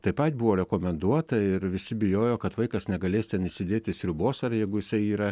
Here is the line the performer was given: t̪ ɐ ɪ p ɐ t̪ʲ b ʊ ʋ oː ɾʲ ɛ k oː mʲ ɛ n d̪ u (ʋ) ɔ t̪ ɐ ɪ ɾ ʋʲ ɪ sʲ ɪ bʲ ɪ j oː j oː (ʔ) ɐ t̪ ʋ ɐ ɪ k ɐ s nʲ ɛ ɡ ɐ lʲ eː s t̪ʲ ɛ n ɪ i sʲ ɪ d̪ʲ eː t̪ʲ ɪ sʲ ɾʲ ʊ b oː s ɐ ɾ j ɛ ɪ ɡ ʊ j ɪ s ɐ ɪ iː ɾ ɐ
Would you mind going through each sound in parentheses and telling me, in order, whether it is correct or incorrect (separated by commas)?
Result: incorrect, incorrect